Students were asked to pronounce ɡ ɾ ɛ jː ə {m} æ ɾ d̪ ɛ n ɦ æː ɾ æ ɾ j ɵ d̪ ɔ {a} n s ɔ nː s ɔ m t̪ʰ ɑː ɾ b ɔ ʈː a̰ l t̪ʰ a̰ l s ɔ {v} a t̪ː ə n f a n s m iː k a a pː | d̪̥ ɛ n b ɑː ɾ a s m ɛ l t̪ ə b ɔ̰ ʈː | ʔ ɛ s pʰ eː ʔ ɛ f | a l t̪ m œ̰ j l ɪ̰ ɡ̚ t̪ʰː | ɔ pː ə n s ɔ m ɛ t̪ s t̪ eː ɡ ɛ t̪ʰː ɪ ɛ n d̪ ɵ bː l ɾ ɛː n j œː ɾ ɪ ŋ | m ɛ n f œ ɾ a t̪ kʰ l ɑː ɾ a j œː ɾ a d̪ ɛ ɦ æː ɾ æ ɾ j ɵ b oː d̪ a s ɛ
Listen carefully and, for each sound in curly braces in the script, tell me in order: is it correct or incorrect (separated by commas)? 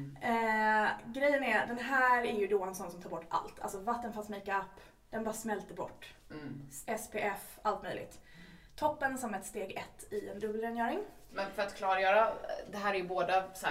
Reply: incorrect, incorrect, correct